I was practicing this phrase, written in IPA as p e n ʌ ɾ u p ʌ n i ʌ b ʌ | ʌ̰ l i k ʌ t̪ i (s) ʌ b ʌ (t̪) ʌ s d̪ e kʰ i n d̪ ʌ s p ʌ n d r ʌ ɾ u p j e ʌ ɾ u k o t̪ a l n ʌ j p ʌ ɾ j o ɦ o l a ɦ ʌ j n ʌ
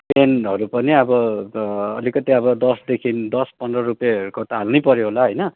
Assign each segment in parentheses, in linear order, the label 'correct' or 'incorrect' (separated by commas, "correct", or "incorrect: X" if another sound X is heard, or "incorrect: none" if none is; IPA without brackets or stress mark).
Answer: incorrect: none, incorrect: d̪